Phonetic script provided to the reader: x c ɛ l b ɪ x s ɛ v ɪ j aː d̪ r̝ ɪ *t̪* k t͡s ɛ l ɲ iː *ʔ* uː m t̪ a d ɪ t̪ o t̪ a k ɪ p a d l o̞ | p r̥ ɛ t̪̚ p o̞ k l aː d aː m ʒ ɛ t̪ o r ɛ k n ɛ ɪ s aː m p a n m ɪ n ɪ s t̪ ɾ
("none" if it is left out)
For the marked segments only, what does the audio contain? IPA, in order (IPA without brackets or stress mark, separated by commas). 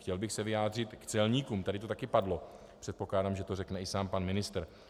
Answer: t̪, k